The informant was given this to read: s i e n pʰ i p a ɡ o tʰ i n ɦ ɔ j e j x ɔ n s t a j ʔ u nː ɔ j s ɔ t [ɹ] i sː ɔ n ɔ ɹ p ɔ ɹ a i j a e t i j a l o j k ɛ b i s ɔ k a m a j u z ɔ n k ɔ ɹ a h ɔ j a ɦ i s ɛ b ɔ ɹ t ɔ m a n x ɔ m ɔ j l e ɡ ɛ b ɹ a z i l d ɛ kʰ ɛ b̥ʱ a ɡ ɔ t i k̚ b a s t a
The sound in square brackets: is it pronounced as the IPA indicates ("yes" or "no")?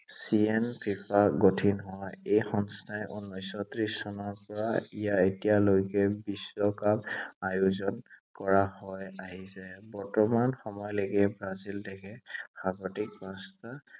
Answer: yes